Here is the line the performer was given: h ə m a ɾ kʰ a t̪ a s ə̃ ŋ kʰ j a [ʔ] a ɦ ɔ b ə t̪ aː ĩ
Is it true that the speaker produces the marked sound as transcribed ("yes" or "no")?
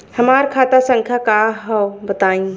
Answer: no